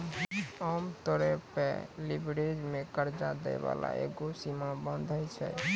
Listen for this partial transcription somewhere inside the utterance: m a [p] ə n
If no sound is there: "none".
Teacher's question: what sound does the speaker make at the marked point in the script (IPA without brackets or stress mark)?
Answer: b